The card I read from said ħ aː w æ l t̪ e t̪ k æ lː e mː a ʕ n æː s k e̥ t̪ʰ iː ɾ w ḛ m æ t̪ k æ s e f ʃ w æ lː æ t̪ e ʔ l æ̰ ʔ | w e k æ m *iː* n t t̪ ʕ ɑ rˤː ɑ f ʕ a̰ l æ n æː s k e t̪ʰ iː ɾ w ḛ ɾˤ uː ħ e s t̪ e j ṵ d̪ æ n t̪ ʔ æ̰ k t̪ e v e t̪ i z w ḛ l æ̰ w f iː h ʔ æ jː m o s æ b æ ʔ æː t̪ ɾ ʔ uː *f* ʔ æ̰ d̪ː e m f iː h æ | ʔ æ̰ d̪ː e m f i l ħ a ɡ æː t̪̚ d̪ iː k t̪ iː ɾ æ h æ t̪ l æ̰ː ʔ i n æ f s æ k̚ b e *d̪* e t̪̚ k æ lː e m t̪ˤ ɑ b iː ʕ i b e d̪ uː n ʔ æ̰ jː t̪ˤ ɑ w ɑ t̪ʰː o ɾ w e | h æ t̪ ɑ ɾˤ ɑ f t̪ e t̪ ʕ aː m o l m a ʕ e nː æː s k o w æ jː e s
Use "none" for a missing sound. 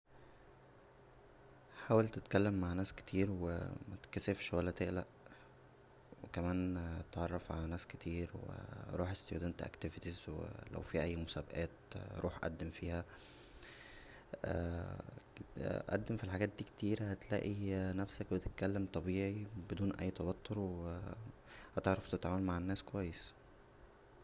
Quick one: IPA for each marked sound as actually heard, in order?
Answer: æː, ħ, t̪

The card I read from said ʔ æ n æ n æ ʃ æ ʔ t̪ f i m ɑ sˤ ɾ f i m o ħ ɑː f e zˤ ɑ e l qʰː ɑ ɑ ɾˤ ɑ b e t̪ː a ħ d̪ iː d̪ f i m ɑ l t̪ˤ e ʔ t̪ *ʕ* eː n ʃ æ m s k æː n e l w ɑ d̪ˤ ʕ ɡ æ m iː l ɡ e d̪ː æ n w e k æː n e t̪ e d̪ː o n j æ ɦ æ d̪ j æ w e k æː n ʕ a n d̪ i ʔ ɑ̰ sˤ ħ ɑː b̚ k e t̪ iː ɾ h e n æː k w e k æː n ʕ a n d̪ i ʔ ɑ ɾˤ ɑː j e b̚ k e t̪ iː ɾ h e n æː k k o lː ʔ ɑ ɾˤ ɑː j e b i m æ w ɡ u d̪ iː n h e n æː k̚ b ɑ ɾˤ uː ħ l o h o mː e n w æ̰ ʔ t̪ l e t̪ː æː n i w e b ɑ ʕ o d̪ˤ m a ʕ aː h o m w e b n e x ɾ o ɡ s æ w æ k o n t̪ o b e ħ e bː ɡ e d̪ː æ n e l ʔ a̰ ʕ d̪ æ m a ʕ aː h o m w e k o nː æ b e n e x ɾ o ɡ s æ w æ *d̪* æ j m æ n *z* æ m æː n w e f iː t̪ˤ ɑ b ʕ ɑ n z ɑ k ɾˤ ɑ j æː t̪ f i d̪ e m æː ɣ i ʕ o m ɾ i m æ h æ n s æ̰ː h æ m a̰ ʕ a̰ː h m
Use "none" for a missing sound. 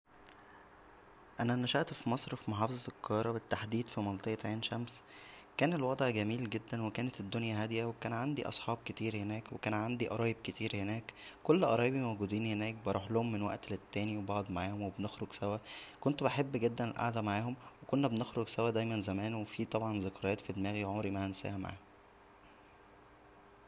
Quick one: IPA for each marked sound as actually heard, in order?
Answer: ʕ, d̪, z

